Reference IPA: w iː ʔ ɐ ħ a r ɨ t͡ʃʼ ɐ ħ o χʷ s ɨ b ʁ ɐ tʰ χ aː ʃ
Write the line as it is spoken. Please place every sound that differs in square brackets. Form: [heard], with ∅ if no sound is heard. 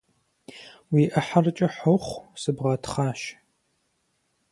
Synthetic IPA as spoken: w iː ʔ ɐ ħ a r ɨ t͡ʃʼ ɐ ħ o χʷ s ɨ b ʁ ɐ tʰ χ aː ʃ